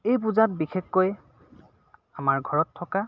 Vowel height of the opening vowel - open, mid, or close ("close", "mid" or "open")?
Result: mid